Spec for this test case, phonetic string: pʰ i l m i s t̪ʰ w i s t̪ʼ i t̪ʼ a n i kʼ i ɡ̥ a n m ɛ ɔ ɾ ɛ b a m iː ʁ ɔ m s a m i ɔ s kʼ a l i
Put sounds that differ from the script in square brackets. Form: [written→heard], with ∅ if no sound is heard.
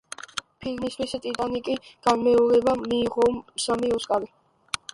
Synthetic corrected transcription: pʰ i l m i s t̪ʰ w i s t̪ʼ i t̪ʼ a n i kʼ i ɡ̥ a n m ɛ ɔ ɾ ɛ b a m iː ʁ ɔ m s a m i ɔ s kʼ a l i